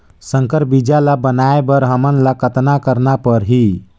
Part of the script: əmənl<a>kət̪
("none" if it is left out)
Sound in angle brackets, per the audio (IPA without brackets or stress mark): a